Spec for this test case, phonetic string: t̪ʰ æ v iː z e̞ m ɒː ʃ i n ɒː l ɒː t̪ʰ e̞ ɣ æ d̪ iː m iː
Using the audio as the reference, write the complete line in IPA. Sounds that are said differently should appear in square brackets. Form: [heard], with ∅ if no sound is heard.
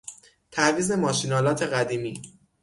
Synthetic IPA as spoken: t̪ʰ æ v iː z e̞ m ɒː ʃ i n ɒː l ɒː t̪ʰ e̞ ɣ æ d̪ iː m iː

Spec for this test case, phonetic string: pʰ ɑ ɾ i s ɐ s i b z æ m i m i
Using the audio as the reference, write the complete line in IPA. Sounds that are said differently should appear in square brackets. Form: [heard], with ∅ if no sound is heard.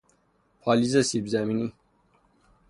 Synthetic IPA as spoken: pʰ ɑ [l] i [z] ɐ s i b z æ m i [n] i

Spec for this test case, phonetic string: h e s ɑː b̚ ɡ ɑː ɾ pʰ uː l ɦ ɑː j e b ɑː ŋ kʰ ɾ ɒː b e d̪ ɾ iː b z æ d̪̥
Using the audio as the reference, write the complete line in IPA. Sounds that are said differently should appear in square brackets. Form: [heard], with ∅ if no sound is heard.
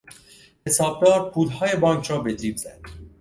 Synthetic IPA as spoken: h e s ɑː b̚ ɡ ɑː ɾ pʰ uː l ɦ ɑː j e b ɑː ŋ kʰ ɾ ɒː b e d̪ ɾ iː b z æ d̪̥

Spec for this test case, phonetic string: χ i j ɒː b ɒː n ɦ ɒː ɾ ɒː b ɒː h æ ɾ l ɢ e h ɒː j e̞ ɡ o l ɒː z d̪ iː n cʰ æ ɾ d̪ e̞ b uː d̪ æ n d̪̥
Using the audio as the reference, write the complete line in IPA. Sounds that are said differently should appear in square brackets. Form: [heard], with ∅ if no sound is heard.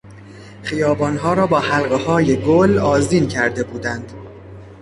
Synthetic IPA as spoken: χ i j ɒː b ɒː n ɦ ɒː ɾ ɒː b ɒː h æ [∅] l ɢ e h ɒː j e̞ ɡ o l ɒː z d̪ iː n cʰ æ ɾ d̪ e̞ b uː d̪ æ n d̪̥

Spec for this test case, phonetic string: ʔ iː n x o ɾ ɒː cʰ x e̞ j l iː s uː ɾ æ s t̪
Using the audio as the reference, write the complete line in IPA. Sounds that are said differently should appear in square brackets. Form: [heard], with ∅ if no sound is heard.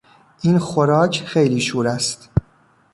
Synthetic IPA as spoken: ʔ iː n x o ɾ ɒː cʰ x e̞ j l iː [ʃ] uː ɾ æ s t̪

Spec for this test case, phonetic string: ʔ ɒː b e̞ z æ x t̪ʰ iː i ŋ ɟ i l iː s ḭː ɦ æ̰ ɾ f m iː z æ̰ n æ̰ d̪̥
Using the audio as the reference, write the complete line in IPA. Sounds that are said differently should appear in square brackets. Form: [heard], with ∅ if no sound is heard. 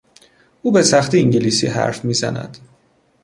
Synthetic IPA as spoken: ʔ [uː] b e̞ [s] æ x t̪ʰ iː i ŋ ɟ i l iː s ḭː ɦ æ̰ ɾ f m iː z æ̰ n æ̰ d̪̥

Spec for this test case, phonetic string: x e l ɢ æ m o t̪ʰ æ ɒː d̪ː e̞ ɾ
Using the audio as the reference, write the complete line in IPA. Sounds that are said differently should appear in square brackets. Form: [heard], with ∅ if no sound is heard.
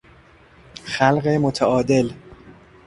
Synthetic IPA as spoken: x [æ] l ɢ [e] m o t̪ʰ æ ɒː [d̪] e̞ [l]

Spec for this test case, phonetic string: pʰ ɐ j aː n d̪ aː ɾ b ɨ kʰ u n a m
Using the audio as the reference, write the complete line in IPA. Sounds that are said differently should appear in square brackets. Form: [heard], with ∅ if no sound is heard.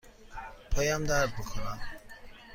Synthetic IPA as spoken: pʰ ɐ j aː [m] d̪ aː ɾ b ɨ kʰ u n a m

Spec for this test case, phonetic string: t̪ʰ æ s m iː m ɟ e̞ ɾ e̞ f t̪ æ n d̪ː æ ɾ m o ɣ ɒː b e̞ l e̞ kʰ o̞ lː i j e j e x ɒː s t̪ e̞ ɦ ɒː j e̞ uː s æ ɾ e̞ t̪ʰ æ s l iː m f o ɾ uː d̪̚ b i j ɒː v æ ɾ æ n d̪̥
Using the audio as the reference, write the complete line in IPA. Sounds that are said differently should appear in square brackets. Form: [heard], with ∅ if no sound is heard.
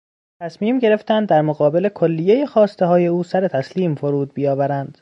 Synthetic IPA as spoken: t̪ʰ æ s m iː m ɟ e̞ ɾ e̞ f t̪ æ n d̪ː æ ɾ m o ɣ ɒː b e̞ l e̞ kʰ o̞ lː i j e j e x ɒː s t̪ e̞ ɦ ɒː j e̞ uː s æ ɾ e̞ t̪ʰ æ s l iː m f o ɾ uː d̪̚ b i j ɒː v æ ɾ æ n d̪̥

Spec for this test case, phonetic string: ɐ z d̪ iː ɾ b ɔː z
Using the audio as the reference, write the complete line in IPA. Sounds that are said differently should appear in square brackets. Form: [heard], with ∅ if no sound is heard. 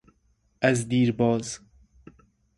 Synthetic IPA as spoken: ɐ z d̪ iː ɾ b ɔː z

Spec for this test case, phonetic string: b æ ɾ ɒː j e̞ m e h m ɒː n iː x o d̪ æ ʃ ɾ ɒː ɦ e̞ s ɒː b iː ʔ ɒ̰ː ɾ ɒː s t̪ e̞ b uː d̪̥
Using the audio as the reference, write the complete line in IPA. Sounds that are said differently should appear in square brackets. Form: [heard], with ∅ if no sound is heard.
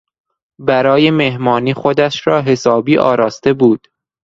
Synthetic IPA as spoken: b æ ɾ ɒː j e̞ m e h m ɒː n iː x o d̪ æ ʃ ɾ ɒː ɦ e̞ s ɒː b iː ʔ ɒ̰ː ɾ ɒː s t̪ e̞ b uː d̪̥

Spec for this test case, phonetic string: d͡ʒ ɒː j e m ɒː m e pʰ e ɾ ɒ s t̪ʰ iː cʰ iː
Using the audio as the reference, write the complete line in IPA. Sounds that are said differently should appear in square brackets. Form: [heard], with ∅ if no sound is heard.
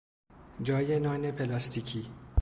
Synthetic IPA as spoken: d͡ʒ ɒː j e [n] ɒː [n] e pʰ e [l] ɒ s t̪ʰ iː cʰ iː

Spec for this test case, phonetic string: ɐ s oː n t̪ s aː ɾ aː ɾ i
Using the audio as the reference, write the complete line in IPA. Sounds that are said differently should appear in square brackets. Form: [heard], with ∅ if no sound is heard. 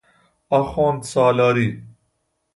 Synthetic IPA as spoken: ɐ [x] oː n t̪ s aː [l] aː ɾ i

